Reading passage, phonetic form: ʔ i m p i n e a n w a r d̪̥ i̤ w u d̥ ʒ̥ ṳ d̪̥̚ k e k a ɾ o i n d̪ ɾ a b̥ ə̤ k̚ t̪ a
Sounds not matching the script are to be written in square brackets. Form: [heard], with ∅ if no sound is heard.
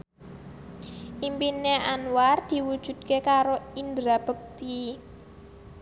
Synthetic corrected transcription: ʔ i m p i n e a n w a r d̪̥ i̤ w u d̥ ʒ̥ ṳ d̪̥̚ k e k a ɾ o i n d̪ ɾ a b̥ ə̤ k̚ t̪ [i]